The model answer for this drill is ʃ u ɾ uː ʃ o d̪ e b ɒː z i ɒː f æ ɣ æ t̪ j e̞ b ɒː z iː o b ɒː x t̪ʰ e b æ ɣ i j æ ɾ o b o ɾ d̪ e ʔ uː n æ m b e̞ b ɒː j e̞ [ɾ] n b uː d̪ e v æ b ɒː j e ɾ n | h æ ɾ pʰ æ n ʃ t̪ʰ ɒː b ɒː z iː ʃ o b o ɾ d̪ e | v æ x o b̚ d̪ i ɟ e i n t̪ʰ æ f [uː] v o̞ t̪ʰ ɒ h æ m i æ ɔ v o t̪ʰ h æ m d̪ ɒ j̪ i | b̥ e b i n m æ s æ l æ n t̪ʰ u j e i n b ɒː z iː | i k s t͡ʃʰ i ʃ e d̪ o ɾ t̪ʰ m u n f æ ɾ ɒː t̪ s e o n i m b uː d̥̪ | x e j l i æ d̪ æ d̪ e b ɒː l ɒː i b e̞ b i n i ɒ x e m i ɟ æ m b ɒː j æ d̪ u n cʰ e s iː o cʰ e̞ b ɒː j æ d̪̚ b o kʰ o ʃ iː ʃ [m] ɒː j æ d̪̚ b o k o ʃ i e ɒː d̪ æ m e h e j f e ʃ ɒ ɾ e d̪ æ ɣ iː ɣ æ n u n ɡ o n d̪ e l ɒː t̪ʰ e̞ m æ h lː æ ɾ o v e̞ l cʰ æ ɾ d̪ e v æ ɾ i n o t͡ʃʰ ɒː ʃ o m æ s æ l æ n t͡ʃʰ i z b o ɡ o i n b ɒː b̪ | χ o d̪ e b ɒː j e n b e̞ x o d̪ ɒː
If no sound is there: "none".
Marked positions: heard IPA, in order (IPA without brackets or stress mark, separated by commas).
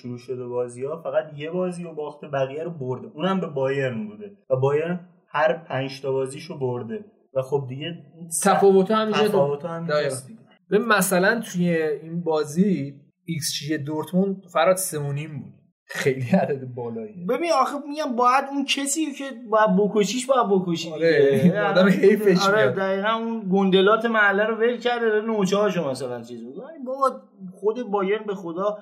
ɾ, ɒː, b